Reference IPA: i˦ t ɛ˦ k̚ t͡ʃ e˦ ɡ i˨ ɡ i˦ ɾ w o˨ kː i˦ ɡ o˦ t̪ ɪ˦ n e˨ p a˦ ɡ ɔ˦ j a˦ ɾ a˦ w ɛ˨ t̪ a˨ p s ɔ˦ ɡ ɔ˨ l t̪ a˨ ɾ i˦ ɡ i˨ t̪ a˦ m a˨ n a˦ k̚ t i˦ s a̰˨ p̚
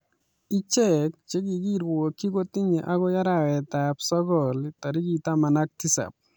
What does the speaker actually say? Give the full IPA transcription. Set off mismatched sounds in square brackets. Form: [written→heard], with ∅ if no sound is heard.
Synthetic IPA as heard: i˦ [t→t͡ʃ] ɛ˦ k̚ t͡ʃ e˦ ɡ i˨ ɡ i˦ ɾ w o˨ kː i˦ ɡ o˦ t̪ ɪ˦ [n→ɲ] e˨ [p→ʔ] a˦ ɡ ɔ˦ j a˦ ɾ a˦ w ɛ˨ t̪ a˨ p s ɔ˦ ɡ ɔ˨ l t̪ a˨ ɾ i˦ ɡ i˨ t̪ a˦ m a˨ n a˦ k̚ t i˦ s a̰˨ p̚

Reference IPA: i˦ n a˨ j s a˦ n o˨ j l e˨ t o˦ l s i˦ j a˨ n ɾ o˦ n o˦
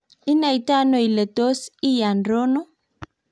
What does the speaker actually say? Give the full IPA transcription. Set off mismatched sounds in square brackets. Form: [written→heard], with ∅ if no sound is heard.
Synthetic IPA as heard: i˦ n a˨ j [s→t] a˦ n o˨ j l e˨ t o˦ [l→∅] s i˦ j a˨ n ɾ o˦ n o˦

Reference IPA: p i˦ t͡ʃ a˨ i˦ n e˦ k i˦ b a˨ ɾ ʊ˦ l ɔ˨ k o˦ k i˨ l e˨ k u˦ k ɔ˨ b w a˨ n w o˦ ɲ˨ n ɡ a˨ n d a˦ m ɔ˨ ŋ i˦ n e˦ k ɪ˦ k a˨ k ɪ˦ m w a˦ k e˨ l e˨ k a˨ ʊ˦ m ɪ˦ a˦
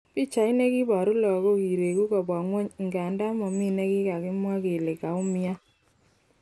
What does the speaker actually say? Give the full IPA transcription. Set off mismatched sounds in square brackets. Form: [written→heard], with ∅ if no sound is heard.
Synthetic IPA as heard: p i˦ t͡ʃ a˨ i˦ n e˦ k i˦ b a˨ ɾ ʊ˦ l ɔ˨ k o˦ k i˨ [l→ɾ] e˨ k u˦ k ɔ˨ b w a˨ [n→ŋ] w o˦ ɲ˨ [n→ŋ] ɡ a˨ n d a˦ m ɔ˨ [ŋ→m] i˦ n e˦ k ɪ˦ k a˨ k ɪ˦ m w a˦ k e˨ l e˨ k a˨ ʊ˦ m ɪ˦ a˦

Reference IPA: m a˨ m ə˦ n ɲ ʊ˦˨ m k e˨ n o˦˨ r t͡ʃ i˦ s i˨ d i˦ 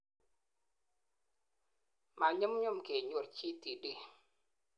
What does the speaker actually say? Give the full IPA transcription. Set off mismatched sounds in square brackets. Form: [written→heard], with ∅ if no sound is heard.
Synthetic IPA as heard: m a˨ [m→ɲ] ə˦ [n→m] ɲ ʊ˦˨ m k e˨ [n→ɲ] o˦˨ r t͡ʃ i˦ [s→t] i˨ d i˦

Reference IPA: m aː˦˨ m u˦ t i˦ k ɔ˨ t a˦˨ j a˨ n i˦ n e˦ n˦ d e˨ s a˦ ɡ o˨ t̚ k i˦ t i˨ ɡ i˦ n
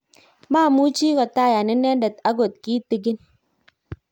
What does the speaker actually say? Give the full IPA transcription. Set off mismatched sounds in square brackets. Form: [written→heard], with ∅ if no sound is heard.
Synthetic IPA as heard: m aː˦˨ m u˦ [t→t͡ʃ] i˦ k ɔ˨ t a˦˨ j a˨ n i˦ n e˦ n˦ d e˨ [s→t] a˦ ɡ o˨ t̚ k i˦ t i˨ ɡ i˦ n

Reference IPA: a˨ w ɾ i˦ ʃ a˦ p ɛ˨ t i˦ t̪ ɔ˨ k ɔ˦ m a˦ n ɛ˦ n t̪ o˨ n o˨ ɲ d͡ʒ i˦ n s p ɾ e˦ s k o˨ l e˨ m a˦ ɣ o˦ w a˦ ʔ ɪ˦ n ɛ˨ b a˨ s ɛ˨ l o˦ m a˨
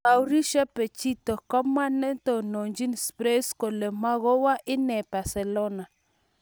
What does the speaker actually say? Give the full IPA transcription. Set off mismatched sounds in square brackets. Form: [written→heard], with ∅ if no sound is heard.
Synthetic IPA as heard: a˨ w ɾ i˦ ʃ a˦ p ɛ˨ [t→t͡ʃ] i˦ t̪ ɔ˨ k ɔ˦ m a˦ n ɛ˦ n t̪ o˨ n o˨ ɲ d͡ʒ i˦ n s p ɾ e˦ s k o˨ l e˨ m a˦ ɣ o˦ w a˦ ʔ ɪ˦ n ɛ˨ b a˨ s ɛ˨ l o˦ [m→n] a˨

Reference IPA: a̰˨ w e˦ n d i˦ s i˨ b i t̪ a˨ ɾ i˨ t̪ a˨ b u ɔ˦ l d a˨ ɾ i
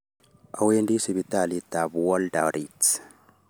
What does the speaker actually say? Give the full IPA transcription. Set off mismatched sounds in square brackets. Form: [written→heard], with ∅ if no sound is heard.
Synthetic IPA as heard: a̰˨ w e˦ n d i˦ s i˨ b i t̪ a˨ [ɾ→l] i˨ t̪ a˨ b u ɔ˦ l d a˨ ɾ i

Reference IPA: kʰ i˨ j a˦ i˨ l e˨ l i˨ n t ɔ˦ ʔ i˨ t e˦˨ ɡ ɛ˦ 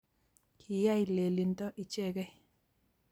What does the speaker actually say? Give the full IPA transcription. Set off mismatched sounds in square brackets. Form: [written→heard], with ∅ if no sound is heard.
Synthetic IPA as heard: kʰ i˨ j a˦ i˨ l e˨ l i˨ n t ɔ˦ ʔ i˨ [t→t͡ʃ] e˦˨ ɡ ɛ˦

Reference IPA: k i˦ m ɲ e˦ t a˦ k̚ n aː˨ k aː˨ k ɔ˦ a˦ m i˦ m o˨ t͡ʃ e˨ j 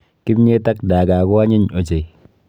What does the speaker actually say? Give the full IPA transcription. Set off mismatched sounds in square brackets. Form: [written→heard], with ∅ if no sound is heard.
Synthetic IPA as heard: k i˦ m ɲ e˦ t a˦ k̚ [n→d] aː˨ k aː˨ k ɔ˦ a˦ [m→ɲ] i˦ [m→ɲ] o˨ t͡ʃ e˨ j

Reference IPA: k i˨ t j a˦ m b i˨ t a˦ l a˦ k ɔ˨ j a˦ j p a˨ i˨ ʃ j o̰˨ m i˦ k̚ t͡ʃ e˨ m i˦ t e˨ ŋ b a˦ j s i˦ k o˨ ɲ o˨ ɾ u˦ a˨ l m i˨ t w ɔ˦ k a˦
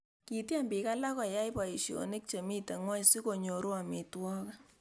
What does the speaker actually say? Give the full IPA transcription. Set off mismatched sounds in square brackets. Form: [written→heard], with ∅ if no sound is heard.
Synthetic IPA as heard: k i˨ t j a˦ m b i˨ [t→k] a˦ l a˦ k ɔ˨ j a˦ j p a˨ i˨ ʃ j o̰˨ [m→n] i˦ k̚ t͡ʃ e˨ m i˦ t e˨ ŋ [b→w] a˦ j s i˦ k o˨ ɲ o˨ ɾ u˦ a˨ [l→∅] m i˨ t w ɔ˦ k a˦

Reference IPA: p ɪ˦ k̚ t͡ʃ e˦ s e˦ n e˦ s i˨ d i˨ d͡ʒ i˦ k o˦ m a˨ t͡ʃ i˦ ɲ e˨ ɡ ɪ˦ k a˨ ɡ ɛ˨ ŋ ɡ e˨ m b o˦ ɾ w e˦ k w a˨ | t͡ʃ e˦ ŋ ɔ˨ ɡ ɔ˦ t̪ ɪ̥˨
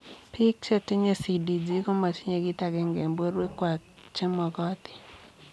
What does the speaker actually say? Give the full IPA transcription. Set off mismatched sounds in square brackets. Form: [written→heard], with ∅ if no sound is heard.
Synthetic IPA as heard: p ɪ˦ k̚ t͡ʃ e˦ [s→t] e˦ [n→ɲ] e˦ s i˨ d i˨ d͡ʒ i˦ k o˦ m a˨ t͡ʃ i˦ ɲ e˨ ɡ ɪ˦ [k→t] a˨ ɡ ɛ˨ ŋ ɡ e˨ m b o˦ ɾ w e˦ k w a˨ | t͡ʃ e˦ [ŋ→m] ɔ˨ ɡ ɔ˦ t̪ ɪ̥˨

